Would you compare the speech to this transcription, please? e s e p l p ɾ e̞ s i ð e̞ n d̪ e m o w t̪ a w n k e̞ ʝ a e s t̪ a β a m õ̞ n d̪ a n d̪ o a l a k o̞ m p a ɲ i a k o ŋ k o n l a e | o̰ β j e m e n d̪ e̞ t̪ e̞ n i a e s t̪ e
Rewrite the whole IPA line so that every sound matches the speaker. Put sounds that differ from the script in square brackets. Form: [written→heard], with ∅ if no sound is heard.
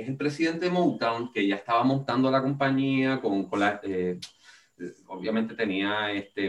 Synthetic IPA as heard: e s e [p→∅] l p ɾ e̞ s i ð e̞ n [d̪→t̪] e m o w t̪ a w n k e̞ ʝ a e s t̪ a β a m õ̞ n [d̪→t̪] a n d̪ o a l a k o̞ m p a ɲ i a k o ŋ k o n l a e | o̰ β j [e→a] m e n [d̪→t̪] e̞ t̪ e̞ n i a e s t̪ e